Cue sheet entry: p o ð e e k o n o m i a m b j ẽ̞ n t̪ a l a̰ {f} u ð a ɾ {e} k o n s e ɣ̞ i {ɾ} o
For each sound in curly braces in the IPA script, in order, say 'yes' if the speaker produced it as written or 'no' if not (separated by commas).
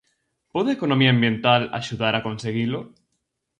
no, no, no